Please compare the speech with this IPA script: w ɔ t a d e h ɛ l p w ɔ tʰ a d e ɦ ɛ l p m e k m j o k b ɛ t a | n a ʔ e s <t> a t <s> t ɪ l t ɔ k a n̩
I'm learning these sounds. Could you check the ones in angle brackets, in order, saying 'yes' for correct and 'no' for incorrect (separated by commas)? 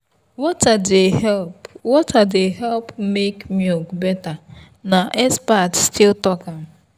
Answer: no, yes